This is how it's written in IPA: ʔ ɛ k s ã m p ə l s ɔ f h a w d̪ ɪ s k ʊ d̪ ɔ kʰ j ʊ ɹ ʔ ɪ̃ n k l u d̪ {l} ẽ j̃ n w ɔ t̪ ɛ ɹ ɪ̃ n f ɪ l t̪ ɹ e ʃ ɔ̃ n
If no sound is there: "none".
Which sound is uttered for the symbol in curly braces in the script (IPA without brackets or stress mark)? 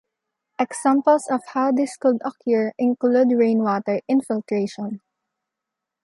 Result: ɹ